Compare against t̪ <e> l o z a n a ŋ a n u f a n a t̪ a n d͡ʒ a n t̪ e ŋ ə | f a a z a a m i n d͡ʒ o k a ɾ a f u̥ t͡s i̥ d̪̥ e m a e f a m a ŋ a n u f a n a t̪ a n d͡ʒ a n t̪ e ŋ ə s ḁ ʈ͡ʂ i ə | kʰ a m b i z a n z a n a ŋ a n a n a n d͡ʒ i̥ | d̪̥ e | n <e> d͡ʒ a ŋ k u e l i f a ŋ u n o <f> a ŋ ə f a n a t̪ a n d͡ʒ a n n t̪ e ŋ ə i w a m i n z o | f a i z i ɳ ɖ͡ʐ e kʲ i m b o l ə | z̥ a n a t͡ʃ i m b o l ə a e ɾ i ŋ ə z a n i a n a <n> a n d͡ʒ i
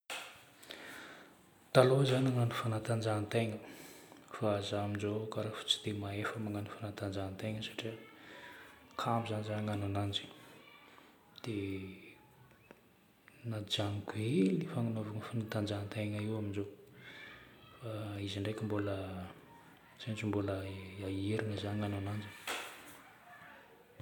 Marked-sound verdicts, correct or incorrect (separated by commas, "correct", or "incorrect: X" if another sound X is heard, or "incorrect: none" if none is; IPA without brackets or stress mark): incorrect: a, incorrect: a, incorrect: v, correct